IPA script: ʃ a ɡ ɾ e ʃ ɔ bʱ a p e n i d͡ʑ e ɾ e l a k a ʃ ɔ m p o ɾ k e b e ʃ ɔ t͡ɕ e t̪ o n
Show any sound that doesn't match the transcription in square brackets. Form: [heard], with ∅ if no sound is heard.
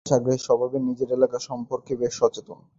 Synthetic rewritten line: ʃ a ɡ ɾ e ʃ ɔ bʱ a [b] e n i d͡ʑ e ɾ e l a k a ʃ ɔ m p o ɾ k e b e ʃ ɔ t͡ɕ e t̪ o n